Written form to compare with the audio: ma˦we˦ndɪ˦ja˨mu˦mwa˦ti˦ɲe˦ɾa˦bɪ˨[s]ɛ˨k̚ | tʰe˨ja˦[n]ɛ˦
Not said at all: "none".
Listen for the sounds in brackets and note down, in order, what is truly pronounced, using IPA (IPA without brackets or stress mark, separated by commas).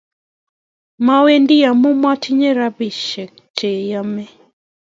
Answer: ʃ, m